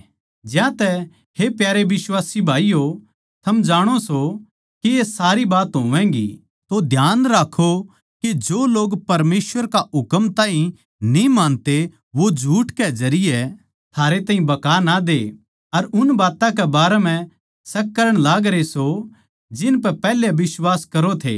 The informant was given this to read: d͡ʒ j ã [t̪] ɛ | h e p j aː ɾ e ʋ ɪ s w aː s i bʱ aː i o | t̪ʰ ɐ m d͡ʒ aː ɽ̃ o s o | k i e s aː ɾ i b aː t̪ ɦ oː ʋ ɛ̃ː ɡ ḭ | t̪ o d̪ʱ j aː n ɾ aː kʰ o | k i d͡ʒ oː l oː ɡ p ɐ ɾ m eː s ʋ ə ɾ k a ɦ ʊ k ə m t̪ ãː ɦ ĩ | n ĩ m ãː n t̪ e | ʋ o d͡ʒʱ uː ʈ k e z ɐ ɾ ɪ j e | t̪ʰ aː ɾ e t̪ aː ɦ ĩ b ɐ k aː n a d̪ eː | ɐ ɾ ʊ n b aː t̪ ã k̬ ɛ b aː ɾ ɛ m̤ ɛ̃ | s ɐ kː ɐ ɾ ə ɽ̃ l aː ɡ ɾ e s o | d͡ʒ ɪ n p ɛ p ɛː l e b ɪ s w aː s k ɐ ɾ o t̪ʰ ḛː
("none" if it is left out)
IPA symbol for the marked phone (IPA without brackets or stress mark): t̪